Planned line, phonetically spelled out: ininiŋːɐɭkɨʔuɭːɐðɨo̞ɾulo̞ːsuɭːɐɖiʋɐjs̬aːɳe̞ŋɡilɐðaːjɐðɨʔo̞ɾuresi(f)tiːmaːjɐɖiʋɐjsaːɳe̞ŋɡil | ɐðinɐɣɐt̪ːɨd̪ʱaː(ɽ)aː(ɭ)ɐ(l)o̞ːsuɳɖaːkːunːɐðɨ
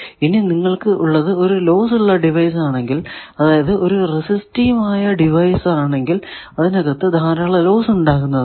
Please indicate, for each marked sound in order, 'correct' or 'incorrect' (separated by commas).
incorrect, incorrect, correct, correct